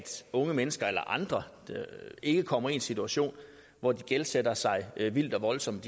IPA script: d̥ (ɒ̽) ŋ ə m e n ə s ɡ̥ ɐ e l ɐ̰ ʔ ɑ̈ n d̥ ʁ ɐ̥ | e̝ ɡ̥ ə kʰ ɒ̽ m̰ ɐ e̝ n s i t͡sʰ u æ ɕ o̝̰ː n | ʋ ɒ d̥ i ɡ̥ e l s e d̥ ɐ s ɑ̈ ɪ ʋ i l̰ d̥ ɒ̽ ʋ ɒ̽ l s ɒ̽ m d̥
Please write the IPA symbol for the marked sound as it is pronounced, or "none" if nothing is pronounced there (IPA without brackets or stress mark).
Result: ɔ̽